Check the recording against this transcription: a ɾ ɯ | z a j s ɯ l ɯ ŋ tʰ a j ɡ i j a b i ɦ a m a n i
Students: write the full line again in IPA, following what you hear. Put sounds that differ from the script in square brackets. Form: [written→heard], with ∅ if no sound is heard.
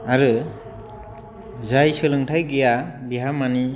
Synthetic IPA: a ɾ ɯ | z a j s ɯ l ɯ ŋ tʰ a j ɡ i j a b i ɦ a m a n i